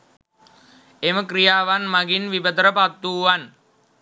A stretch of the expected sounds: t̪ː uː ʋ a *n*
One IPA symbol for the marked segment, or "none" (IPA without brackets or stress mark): n